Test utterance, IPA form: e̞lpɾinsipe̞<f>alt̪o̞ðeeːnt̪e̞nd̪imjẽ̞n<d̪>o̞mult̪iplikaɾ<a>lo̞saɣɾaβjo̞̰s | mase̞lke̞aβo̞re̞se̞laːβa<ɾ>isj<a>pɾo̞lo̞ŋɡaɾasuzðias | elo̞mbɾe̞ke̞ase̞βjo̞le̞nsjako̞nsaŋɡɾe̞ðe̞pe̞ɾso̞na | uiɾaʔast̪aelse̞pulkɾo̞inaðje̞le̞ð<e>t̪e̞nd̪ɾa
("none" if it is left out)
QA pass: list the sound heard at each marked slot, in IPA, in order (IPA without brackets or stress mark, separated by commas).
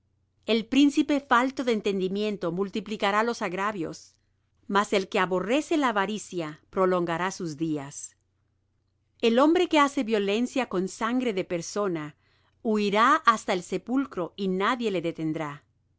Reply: f, t̪, a, ɾ, a, e